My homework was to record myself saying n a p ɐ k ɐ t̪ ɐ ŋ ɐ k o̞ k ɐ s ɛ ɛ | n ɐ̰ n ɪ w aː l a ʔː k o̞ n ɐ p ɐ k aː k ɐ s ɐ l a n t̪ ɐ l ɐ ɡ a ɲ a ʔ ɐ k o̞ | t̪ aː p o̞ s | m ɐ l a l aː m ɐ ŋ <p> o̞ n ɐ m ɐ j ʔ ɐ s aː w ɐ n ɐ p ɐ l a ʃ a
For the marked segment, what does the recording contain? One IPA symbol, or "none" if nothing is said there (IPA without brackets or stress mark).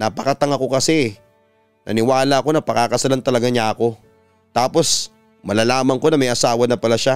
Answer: k